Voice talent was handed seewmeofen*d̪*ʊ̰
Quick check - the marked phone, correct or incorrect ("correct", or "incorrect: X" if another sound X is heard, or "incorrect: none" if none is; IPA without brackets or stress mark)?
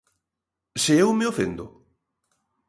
correct